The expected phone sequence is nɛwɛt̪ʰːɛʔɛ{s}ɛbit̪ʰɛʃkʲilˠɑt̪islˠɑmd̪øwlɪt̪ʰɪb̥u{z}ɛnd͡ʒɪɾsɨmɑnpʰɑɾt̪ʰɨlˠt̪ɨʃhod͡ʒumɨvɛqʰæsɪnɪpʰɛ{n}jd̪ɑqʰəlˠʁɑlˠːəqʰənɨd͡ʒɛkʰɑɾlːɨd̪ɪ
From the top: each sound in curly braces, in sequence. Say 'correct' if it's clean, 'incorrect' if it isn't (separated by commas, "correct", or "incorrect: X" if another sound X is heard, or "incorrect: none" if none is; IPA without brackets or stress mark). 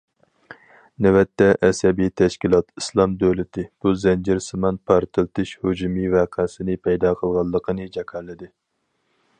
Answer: correct, correct, incorrect: none